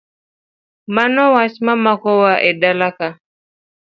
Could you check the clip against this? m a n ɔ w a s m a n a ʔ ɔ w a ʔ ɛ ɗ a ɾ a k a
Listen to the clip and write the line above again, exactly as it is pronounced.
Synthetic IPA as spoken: m a n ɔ w a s m a m a k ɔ w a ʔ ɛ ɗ a l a k a